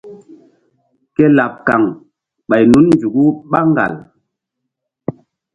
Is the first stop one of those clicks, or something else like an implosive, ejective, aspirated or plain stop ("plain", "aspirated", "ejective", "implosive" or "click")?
plain